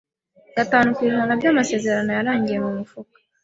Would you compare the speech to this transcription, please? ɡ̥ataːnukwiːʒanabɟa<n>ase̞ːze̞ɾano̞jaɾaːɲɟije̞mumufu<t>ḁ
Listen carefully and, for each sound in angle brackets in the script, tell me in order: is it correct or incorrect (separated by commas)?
incorrect, incorrect